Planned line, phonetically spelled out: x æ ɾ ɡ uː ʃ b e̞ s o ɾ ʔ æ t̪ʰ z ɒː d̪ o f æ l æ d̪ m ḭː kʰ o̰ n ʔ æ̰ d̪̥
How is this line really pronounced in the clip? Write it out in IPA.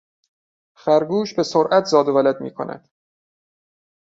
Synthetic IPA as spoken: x æ ɾ ɡ uː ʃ b e̞ s o ɾ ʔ æ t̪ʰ z ɒː d̪ o v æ l æ d̪ m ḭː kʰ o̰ n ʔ æ̰ d̪̥

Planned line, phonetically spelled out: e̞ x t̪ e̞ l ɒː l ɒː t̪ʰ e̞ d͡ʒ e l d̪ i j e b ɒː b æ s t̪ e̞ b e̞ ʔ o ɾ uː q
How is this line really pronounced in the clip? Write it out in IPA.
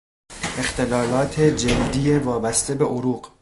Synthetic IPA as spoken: e̞ x t̪ e̞ l ɒː l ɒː t̪ʰ e̞ d͡ʒ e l d̪ i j e v ɒː b æ s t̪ e̞ b e̞ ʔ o ɾ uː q

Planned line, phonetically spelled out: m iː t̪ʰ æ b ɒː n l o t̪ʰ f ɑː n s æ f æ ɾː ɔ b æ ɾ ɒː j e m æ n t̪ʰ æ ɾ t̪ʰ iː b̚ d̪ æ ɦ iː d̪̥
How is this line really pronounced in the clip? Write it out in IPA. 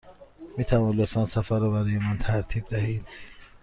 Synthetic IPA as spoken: m iː t̪ʰ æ v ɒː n l o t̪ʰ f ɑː n s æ f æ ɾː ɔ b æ ɾ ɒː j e m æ n t̪ʰ æ ɾ t̪ʰ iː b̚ d̪ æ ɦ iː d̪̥

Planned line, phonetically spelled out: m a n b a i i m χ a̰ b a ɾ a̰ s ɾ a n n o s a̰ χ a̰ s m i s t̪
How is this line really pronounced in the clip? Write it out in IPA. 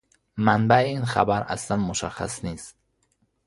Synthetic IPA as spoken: m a n b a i i n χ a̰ b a ɾ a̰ s l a n m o ʃ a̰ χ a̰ s n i s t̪

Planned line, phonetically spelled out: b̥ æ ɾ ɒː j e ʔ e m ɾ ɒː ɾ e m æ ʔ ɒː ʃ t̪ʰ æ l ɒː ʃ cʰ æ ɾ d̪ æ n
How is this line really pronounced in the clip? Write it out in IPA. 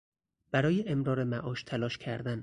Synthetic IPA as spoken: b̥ æ ɾ ɒː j e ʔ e m ɾ ɒː ɾ e m æ ʔ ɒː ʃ t̪ʰ æ l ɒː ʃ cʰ æ ɾ d̪ æ n

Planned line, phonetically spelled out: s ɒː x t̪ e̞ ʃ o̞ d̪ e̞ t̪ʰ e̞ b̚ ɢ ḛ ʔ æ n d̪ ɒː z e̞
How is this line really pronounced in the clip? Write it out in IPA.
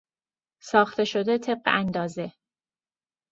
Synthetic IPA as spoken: s ɒː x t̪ e̞ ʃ o̞ d̪ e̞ t̪ʰ e̞ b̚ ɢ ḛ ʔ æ n d̪ ɒː z e̞

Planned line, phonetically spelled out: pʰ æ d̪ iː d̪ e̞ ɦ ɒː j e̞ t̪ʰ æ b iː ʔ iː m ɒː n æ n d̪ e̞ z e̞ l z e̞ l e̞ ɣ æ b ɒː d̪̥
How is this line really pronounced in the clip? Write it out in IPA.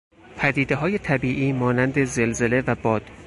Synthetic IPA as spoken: pʰ æ d̪ iː d̪ e̞ ɦ ɒː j e̞ t̪ʰ æ b iː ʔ iː m ɒː n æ n d̪ e̞ z e̞ l z e̞ l e̞ v æ b ɒː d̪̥

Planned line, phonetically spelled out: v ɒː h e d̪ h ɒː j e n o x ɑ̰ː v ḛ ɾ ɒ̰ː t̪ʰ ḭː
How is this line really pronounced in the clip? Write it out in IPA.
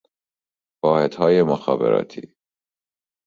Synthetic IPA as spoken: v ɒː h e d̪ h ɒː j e m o x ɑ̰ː b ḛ ɾ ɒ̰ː t̪ʰ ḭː

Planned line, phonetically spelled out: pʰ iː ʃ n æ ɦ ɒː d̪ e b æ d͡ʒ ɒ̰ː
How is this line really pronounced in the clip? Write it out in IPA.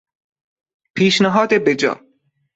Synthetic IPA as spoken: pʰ iː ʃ n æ ɦ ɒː d̪ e b e d͡ʒ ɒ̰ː

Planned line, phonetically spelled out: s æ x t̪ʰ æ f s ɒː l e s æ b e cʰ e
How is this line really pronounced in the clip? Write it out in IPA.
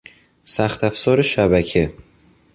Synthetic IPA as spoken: s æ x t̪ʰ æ f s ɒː ɾ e ʃ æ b æ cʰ e

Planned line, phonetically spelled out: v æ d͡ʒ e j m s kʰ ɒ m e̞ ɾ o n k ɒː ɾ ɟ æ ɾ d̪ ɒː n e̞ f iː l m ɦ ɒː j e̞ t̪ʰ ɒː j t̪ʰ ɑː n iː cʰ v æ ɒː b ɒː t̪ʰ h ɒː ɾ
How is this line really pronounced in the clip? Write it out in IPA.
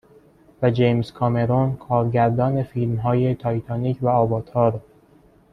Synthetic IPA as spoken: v æ d͡ʒ e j m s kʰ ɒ m e̞ ɾ o n kʰ ɒː ɾ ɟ æ ɾ d̪ ɒː n e̞ f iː l m ɦ ɒː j e̞ t̪ʰ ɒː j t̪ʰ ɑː n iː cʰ v æ ɒː b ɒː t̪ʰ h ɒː ɾ

